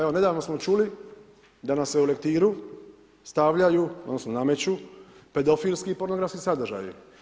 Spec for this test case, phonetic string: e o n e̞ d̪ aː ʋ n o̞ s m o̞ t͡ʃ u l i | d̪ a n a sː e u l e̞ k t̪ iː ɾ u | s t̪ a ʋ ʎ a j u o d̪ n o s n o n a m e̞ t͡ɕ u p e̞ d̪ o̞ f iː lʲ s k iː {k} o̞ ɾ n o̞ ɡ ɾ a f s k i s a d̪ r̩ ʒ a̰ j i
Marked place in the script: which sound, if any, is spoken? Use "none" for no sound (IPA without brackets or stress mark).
p